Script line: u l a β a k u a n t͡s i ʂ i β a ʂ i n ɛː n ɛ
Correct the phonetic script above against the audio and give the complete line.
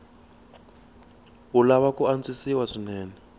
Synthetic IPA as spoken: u l a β a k u a n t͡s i s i w a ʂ i n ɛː n ɛ